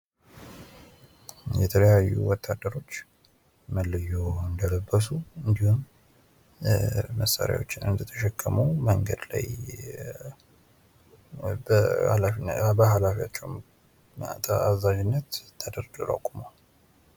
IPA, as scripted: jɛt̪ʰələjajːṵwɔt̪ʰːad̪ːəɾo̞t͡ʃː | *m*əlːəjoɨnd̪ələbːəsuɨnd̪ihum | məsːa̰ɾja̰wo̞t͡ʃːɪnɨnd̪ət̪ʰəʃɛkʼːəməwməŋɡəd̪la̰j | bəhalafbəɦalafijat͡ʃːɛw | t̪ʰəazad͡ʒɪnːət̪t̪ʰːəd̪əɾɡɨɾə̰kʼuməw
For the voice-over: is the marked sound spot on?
yes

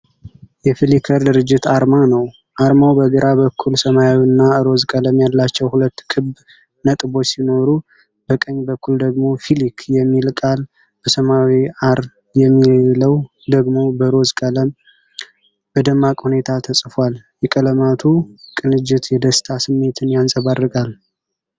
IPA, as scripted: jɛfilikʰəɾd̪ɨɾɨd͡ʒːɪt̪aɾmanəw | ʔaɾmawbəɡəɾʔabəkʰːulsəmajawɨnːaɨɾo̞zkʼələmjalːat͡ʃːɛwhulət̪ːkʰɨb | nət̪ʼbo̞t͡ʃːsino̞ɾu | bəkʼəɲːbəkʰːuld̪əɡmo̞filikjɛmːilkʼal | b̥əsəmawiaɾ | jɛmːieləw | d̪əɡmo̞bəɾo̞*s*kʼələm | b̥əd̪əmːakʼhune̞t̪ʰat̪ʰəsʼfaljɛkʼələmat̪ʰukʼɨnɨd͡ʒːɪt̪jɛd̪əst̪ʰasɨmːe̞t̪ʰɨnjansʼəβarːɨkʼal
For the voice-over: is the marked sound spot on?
no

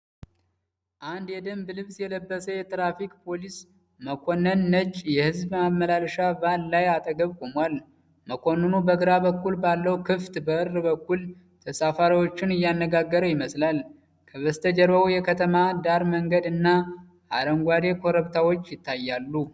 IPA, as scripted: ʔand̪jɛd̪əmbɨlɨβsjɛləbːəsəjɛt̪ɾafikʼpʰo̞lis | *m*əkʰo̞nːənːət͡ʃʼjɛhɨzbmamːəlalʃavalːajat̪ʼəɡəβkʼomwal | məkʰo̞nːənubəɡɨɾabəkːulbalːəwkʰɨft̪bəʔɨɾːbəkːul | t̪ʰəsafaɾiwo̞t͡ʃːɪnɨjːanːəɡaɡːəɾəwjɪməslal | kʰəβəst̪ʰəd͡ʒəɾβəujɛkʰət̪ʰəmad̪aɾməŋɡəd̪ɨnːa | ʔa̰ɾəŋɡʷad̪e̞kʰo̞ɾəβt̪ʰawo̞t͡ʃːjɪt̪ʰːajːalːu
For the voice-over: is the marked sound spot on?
yes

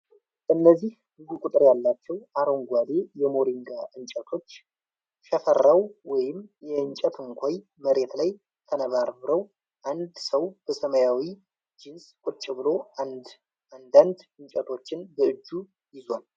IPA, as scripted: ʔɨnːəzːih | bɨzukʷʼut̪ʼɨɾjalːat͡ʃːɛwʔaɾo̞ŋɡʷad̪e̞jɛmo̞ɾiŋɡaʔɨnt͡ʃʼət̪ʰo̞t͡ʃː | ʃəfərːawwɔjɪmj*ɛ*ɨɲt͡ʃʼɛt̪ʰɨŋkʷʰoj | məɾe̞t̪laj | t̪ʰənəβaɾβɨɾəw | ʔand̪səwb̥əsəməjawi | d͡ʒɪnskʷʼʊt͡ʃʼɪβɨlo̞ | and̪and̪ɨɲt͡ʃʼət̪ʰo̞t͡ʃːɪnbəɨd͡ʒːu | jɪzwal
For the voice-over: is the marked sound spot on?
yes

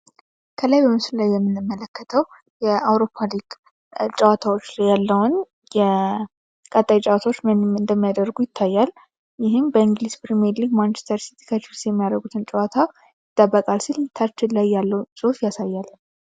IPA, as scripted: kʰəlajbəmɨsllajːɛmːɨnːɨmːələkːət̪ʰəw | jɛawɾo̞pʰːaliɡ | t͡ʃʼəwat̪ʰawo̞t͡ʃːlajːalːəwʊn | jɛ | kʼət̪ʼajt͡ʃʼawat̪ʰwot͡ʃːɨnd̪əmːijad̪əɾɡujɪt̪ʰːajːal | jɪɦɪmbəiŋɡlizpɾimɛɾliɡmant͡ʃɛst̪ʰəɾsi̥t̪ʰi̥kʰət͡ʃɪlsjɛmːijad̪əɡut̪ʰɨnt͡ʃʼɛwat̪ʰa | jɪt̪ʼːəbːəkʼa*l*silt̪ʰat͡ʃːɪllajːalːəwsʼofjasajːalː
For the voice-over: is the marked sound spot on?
yes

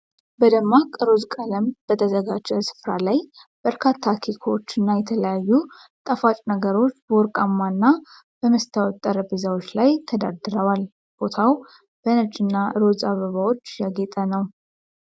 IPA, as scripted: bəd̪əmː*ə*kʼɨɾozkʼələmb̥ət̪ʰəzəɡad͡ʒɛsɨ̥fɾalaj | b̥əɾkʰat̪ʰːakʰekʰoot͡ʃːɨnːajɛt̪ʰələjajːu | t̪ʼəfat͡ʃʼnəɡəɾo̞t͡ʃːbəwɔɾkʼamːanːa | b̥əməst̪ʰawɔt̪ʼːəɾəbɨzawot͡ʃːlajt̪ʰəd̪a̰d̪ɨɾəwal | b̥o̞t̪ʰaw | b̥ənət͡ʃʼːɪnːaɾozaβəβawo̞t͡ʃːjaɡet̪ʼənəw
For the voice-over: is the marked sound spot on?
no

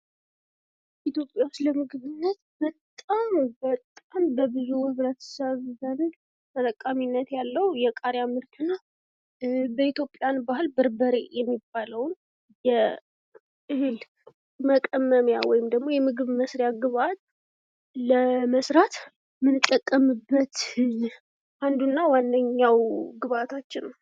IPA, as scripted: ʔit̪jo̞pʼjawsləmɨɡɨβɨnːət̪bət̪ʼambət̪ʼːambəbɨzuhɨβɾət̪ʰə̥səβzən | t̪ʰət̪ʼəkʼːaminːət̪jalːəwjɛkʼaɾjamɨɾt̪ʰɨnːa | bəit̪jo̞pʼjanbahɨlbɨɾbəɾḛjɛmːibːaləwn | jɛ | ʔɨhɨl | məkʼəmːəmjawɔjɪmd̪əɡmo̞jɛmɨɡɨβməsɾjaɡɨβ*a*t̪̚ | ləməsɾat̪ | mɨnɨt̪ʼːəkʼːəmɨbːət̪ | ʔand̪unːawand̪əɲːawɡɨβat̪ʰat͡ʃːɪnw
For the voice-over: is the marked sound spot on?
yes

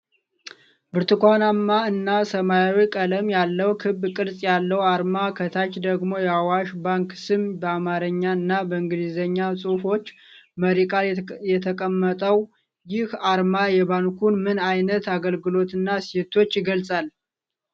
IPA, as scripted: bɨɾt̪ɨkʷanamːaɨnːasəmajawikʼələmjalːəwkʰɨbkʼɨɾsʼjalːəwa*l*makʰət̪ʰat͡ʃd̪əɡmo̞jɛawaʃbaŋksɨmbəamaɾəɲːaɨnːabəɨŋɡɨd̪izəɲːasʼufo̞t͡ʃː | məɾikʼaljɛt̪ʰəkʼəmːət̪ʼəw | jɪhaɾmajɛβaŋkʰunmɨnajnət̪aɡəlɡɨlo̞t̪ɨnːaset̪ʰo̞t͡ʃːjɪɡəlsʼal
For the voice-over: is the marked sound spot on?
no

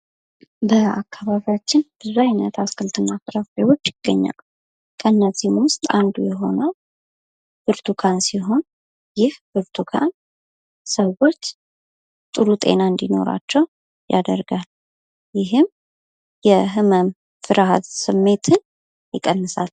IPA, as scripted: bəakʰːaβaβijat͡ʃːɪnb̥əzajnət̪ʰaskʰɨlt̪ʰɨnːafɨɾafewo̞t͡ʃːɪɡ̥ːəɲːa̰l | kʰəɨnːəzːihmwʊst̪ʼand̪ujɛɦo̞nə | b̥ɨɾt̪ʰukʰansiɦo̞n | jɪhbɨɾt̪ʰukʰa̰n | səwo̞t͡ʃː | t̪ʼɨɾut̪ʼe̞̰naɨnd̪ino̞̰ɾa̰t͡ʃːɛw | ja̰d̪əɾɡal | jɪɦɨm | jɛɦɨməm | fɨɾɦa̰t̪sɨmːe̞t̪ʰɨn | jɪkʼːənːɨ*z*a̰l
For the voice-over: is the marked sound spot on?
no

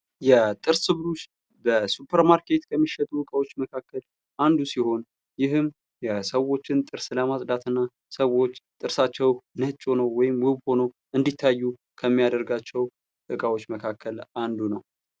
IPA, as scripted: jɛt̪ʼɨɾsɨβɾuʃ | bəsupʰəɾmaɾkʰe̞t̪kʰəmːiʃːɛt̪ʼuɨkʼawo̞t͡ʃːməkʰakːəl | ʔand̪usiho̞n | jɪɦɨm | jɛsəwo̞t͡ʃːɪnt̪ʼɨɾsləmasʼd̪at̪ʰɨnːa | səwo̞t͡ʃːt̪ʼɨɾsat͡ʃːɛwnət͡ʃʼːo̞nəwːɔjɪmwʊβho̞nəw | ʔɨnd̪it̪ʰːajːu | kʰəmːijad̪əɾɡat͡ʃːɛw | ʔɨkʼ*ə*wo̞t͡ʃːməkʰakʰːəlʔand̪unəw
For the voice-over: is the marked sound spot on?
no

